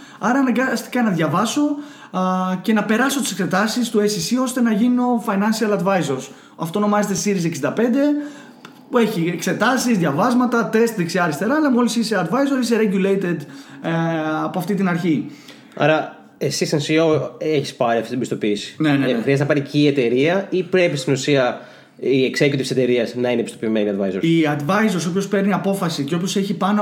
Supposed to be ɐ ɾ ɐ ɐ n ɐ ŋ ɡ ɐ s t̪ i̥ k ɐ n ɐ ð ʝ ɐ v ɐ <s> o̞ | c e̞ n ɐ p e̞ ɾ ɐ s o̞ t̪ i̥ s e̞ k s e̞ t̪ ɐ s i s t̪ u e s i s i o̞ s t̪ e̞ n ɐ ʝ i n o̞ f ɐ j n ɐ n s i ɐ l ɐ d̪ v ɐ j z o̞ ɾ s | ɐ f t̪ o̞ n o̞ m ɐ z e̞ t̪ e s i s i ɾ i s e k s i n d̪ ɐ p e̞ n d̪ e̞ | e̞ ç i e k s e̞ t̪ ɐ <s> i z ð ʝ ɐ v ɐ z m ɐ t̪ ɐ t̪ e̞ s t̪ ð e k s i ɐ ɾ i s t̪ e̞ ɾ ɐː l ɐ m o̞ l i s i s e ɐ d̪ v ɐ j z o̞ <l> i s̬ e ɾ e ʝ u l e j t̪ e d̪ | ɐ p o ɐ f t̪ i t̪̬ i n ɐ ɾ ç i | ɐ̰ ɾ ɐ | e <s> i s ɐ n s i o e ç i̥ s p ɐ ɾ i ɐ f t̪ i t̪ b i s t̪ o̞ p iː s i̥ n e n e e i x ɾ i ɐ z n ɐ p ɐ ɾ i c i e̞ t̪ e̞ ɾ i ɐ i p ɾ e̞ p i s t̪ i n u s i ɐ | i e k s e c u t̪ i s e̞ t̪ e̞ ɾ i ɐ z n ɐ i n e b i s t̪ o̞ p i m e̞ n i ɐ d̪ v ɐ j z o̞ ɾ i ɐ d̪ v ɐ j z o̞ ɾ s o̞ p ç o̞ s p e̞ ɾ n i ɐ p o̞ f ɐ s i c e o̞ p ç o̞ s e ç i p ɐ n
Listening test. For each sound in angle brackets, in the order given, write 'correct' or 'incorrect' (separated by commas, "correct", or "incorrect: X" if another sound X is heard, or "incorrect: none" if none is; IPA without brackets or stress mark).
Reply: correct, correct, incorrect: ɾ, correct